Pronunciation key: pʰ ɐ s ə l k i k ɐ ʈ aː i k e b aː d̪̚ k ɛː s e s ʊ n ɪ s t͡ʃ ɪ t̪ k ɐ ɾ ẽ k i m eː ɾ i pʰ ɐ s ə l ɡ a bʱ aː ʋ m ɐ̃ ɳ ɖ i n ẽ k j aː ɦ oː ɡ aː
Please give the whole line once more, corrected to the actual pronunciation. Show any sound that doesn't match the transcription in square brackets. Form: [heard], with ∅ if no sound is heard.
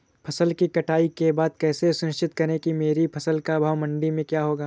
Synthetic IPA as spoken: pʰ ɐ s ə l k i k ɐ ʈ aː i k e b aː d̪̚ k ɛː s e s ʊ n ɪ [ʃ] t͡ʃ ɪ t̪ k ɐ ɾ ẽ k i m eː ɾ i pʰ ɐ s ə l [k] a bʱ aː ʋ m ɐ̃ ɳ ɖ i [m] ẽ k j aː ɦ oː ɡ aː